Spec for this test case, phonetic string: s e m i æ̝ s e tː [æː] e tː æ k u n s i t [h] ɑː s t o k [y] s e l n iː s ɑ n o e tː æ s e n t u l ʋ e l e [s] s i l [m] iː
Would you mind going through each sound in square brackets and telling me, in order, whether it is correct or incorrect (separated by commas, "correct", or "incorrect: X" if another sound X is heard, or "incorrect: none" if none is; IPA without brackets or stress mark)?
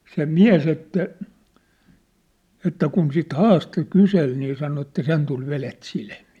incorrect: æ, correct, correct, incorrect: t, correct